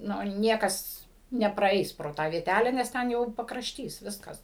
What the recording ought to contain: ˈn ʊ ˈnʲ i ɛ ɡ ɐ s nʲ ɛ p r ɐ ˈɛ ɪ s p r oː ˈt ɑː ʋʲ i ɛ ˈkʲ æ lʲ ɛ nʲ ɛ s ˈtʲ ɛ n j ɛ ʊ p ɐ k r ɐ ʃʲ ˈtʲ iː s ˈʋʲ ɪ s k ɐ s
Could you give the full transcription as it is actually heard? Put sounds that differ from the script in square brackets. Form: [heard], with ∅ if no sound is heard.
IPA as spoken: ˈn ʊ ˈnʲ i ɛ [k] ɐ s nʲ ɛ p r ɐ ˈɛ ɪ s p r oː ˈt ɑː ʋʲ i ɛ [ˈtʲ] æ lʲ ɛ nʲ ɛ s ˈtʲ ɛ n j ɛ ʊ p ɐ k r ɐ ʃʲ ˈtʲ iː s ˈʋʲ ɪ s k ɐ s